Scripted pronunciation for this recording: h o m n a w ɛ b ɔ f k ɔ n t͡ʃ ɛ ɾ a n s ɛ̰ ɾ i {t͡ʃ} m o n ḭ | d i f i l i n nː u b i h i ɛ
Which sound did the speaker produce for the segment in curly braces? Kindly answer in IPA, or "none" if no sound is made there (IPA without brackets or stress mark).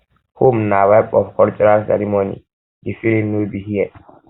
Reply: none